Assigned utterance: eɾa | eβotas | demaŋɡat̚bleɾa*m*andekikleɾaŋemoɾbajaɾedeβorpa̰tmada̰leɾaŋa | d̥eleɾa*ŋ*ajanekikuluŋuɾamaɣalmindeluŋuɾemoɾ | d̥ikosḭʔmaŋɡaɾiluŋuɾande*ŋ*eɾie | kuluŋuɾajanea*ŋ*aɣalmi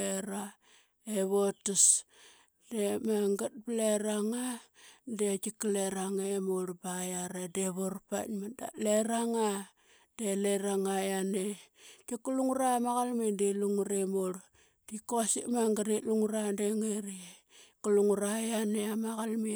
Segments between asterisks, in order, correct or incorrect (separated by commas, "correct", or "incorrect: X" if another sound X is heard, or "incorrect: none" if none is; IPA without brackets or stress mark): incorrect: ŋ, correct, correct, incorrect: m